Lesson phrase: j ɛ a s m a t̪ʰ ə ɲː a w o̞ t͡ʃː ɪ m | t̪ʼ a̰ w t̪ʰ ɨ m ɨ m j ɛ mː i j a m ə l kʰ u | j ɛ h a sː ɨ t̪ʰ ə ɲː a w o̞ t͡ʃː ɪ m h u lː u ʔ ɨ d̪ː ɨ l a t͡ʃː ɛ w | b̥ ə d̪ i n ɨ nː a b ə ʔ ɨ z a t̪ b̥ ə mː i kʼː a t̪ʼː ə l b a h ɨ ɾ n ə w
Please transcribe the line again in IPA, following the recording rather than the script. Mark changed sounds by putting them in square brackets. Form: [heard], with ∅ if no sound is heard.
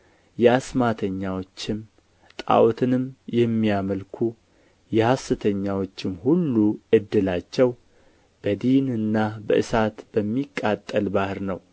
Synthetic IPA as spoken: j ɛ a s m a t̪ʰ ə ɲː a w o̞ t͡ʃː ɪ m | t̪ʼ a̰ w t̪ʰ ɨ [n] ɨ m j ɛ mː i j a m ə l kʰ u | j ɛ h a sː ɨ t̪ʰ ə ɲː a w o̞ t͡ʃː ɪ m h u lː u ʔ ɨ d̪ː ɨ l a t͡ʃː ɛ w | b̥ ə d̪ i n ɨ nː a b ə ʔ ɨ [s] a t̪ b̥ ə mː i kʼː a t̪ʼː ə l b a h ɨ ɾ n ə w